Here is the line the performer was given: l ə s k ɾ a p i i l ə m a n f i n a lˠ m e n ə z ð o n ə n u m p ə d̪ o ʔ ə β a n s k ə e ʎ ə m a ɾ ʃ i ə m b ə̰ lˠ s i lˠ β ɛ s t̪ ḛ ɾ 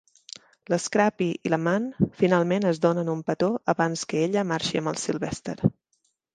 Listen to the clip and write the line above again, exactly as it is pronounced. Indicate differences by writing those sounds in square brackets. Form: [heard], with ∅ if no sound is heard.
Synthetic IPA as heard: l ə s k ɾ a p i i l ə m a n f i n a lˠ m e n ə z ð o n ə n u m p ə [t̪] o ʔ ə β a n s k ə e ʎ ə m a ɾ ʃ i ə m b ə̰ lˠ s i lˠ β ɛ s t̪ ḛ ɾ